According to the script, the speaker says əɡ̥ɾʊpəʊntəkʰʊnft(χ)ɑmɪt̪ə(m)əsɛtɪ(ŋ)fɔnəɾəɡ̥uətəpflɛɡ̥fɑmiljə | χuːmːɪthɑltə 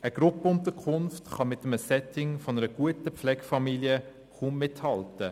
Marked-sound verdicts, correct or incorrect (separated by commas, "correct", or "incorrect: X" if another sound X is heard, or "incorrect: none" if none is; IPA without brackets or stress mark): correct, correct, correct